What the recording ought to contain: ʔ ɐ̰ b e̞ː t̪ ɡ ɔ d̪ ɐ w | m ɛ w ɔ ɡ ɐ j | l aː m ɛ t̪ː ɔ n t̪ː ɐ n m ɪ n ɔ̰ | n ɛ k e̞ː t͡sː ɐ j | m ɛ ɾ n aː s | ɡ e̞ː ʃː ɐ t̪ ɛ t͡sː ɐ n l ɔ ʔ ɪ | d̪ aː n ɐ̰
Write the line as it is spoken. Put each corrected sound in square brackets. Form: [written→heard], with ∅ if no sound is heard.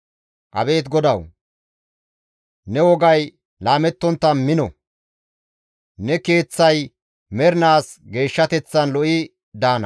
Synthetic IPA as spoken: ʔ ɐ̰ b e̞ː t̪ ɡ ɔ d̪ ɐ w | [m→n] ɛ w ɔ ɡ ɐ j | l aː m ɛ t̪ː ɔ n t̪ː ɐ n m ɪ n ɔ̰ | n ɛ k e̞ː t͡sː ɐ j | m ɛ ɾ n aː s | ɡ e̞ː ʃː ɐ t̪ ɛ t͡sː ɐ n l ɔ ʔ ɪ | d̪ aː n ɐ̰